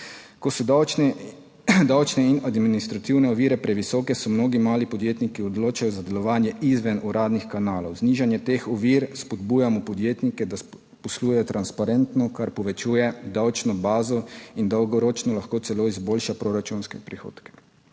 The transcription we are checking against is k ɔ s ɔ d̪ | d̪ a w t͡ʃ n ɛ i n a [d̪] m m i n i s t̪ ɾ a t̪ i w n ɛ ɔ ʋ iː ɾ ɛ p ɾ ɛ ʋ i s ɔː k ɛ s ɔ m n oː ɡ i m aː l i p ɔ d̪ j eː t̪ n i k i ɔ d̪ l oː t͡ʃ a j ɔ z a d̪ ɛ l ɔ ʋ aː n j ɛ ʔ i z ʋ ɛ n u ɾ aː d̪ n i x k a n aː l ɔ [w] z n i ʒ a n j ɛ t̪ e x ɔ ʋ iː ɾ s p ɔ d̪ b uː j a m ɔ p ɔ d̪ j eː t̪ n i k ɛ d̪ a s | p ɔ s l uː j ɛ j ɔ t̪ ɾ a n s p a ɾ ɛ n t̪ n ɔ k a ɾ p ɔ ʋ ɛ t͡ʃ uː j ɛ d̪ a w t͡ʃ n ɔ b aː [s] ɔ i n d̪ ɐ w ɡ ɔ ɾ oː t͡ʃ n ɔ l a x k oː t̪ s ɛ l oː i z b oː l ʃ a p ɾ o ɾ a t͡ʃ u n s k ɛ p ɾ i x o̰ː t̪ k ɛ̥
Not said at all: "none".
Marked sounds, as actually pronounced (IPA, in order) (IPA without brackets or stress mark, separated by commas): d̪, w, z